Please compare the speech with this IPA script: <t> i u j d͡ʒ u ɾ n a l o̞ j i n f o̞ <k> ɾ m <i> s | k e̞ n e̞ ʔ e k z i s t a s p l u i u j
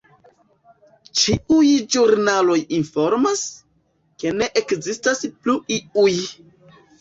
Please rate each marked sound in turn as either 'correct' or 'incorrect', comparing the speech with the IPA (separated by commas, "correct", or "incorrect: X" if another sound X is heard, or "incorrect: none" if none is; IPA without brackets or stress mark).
incorrect: t͡ʃ, incorrect: none, incorrect: a